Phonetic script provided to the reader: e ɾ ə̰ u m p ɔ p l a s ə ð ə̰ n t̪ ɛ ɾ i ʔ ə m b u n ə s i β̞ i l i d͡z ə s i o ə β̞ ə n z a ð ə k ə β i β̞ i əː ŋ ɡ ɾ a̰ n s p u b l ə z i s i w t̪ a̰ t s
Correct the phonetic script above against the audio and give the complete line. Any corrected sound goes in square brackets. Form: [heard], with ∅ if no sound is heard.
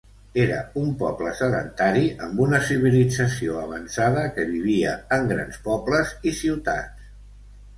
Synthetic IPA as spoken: e ɾ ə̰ u m p ɔ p l [ə] s ə ð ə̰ n t̪ [a] ɾ i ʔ ə m b u n ə s i β̞ i l i d͡z ə s i o ə β̞ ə n [s] a ð ə k ə β i β̞ i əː ŋ ɡ ɾ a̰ n s p [ɔ] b l ə z i s i w t̪ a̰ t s